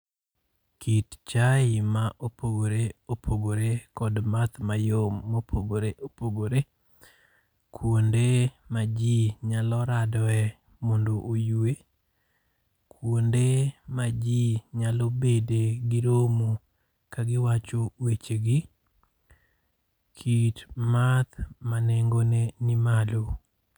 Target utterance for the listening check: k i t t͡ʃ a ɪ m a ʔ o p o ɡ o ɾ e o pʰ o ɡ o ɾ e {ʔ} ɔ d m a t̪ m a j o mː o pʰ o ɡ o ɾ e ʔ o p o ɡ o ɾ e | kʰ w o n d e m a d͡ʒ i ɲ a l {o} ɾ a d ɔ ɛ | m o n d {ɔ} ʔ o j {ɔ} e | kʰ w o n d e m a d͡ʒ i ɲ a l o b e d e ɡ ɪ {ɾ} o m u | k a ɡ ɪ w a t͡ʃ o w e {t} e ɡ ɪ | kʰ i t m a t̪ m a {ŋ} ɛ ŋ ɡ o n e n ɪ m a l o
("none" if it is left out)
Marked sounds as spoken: k, ɔ, o, u, ɾ, t͡ʃ, n

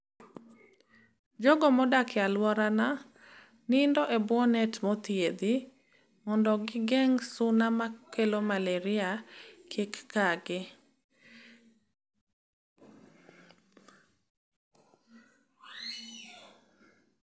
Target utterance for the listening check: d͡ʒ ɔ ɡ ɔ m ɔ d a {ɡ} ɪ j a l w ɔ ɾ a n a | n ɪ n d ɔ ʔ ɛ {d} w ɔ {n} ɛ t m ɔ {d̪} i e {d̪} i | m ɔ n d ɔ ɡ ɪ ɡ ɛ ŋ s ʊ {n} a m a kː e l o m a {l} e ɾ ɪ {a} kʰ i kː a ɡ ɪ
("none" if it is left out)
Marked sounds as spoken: k, b, n, t̪, d̪, n, l, a

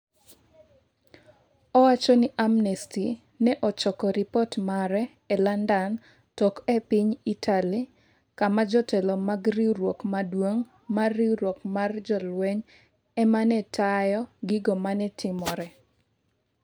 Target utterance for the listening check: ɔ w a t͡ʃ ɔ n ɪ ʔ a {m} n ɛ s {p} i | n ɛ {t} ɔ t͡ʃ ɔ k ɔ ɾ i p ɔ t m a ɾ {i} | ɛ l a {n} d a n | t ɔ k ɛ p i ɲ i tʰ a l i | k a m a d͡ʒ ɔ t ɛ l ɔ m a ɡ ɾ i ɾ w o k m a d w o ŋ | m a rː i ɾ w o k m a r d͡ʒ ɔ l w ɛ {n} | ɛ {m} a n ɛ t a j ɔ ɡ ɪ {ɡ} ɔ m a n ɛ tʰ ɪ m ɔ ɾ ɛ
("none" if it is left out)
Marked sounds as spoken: m, t, ʔ, ɛ, n, ɲ, m, ɡ

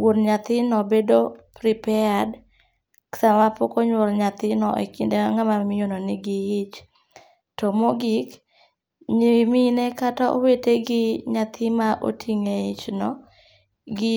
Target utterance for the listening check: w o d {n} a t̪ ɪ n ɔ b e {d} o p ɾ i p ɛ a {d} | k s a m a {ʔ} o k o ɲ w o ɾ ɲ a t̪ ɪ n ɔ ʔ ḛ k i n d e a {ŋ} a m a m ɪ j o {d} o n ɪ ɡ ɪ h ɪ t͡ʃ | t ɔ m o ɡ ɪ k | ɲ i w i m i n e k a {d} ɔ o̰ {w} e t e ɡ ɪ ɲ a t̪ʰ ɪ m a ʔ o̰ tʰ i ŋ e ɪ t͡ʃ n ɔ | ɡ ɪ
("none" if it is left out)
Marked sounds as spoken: ɲ, d, d, p, ŋ, n, t, w

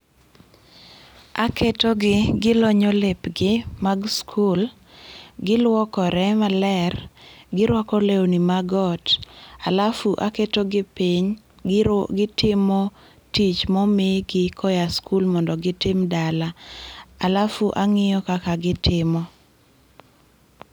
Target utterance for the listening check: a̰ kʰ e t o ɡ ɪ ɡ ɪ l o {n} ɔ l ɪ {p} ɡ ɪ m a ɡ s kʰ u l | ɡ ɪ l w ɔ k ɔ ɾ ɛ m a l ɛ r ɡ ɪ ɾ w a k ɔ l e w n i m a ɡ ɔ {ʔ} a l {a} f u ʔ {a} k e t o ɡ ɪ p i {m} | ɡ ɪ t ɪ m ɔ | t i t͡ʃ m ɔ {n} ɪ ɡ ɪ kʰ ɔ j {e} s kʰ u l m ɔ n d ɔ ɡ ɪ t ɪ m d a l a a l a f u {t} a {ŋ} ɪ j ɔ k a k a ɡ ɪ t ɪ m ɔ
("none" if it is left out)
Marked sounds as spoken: ɲ, p, t, a, a, ɲ, m, a, ʔ, ŋ

